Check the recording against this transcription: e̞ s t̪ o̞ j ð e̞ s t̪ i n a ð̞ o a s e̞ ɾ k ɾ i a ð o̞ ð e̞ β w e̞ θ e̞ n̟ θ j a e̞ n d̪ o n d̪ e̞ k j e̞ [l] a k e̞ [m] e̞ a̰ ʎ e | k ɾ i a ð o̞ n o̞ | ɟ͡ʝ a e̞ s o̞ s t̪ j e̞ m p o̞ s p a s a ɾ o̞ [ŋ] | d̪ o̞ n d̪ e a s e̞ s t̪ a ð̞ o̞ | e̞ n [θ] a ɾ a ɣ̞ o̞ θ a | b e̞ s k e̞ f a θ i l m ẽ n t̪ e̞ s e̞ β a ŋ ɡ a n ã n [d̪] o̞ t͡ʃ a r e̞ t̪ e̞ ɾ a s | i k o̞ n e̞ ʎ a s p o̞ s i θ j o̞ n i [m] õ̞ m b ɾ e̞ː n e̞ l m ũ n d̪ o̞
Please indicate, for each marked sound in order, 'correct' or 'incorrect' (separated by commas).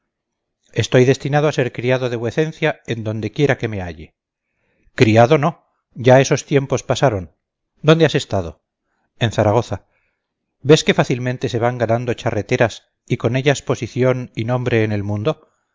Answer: incorrect, correct, incorrect, correct, correct, incorrect